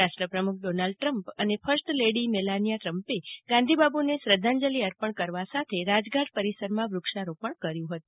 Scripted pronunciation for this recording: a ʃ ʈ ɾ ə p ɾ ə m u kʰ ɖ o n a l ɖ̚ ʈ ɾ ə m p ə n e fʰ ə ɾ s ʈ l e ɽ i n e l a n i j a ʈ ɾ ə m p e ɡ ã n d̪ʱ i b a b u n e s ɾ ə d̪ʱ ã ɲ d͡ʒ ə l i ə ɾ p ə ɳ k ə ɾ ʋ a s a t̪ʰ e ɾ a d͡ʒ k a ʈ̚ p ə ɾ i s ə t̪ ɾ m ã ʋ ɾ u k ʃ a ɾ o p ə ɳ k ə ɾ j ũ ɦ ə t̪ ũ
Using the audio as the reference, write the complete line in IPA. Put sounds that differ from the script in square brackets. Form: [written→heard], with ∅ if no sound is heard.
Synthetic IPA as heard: a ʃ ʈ ɾ ə p ɾ ə m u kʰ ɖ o n a l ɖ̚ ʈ ɾ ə m p ə n e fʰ ə ɾ s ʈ l e ɽ i [n→m] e l a n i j a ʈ ɾ ə m p e ɡ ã n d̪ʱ i b a b u n e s ɾ ə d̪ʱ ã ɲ d͡ʒ ə l i ə ɾ p ə ɳ k ə ɾ ʋ a s a t̪ʰ e ɾ a d͡ʒ [k→ɡ] a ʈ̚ p ə ɾ i s ə [t̪→∅] ɾ m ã ʋ ɾ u k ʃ a ɾ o p ə ɳ k ə ɾ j ũ ɦ ə t̪ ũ